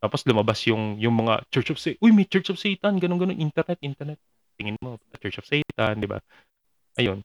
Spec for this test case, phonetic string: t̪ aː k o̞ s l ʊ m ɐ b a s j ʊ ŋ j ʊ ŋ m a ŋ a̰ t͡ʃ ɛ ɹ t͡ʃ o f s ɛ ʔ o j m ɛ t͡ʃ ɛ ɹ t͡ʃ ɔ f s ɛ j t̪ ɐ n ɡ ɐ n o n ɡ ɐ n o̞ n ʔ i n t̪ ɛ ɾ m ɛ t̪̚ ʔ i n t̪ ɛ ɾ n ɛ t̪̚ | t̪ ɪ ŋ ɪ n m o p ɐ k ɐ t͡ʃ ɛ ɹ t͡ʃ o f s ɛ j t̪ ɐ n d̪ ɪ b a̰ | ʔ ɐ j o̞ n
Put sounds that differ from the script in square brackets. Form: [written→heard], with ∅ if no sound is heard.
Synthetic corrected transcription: t̪ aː [k→p] o̞ s l ʊ m ɐ b a s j ʊ ŋ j ʊ ŋ m [a→ɐ] ŋ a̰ t͡ʃ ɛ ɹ t͡ʃ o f s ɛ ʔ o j m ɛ t͡ʃ ɛ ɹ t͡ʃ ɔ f s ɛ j t̪ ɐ n ɡ ɐ n o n ɡ ɐ n o̞ n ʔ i n t̪ ɛ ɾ [m→n] ɛ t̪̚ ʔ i n t̪ ɛ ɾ n ɛ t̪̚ | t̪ ɪ ŋ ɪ n m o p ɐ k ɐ t͡ʃ ɛ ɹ t͡ʃ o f s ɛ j t̪ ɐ n d̪ ɪ b a̰ | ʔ ɐ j o̞ n